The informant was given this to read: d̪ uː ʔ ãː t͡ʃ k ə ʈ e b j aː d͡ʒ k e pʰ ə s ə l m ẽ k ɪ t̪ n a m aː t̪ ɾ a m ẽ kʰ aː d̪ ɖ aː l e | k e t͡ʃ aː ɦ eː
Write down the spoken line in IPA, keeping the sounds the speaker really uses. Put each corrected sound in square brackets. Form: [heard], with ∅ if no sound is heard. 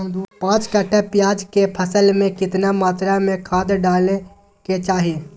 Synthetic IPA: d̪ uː [p] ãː t͡ʃ k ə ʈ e [p] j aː d͡ʒ k e pʰ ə s ə l m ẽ k ɪ t̪ n a m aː t̪ ɾ a m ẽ kʰ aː d̪ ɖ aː l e | k e t͡ʃ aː ɦ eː